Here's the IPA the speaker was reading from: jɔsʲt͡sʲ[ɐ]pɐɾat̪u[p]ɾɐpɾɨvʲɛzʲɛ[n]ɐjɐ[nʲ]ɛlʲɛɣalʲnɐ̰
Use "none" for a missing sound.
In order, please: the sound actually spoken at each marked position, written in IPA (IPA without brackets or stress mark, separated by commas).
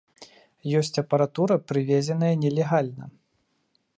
ɐ, none, n, nʲ